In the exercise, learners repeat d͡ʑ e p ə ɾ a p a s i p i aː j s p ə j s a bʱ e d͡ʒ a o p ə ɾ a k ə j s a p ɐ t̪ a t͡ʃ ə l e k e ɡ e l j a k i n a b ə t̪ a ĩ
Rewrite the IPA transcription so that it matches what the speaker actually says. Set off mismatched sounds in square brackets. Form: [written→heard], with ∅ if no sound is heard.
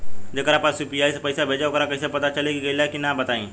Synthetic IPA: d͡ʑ e [p→k] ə ɾ a p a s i p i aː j s p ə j s a bʱ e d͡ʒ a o [p→k] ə ɾ a k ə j s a p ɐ t̪ a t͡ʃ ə l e k [e→i] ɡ e l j a k i n a b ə t̪ a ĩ